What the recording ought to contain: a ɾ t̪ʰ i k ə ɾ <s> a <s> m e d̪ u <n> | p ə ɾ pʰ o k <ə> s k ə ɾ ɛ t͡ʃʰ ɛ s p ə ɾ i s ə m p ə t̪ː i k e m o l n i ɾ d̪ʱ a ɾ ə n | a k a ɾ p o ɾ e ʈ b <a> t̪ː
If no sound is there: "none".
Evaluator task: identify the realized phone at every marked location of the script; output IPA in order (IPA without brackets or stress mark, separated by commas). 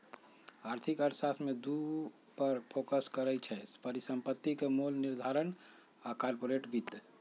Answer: s, s, none, ə, i